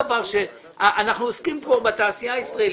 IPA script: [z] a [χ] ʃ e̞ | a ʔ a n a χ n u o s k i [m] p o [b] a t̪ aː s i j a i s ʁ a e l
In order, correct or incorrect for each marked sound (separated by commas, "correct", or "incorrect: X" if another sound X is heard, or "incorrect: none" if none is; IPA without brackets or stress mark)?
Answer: incorrect: v, incorrect: ʁ, correct, correct